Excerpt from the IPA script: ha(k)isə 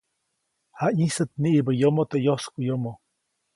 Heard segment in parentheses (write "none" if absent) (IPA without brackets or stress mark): none